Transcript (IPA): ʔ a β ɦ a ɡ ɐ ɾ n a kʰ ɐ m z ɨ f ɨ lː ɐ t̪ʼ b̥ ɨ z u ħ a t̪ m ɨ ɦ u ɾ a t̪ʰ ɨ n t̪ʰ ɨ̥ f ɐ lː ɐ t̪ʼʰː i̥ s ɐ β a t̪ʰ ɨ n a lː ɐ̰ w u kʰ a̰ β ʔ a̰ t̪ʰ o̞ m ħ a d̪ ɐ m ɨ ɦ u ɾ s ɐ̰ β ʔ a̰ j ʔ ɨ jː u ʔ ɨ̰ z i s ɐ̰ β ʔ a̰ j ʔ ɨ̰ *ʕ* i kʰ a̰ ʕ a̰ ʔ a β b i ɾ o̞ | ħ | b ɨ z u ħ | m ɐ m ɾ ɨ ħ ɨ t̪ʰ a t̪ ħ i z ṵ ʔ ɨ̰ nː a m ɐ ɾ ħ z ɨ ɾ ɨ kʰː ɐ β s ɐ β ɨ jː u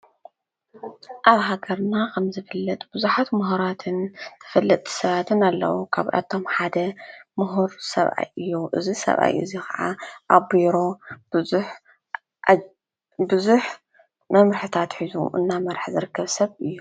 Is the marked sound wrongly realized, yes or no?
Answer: yes